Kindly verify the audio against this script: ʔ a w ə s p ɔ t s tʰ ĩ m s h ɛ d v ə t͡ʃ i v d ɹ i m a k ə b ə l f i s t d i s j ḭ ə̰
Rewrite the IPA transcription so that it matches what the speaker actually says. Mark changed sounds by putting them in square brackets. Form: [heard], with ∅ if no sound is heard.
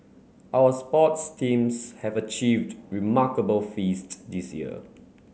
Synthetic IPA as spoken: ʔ a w ə s p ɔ t s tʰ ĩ m s h ɛ [∅] v ə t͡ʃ i v d ɹ i m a k ə b ə l f i s t d i s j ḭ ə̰